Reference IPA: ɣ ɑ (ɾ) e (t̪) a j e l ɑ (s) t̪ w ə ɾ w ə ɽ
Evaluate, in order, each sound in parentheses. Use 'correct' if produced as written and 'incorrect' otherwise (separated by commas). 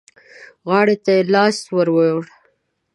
incorrect, correct, correct